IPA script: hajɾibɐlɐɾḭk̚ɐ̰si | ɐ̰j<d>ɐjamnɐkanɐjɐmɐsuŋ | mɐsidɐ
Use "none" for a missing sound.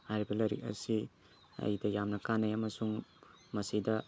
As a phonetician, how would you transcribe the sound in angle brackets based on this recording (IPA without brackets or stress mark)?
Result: d